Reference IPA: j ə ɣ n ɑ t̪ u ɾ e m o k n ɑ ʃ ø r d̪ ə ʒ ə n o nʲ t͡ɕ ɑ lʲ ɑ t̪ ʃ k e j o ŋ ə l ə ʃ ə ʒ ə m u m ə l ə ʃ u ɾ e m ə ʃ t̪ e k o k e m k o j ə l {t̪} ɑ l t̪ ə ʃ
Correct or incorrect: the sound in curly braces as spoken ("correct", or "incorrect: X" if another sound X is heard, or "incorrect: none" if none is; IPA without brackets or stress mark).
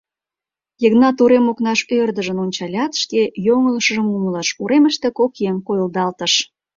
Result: incorrect: d̪